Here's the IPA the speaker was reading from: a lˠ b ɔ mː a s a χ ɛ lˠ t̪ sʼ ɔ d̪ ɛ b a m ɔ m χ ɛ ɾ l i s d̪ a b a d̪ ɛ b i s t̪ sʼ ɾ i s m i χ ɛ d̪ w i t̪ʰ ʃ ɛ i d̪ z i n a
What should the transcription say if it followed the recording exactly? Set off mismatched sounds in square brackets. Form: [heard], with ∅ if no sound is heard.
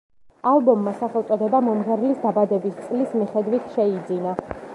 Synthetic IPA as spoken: a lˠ b ɔ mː a s a χ ɛ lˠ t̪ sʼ ɔ d̪ ɛ b a m ɔ m [ʁ] ɛ ɾ l i s d̪ a b a d̪ ɛ b i s t̪ sʼ [l] i s m i χ ɛ d̪ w i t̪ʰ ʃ ɛ i d̪ z i n a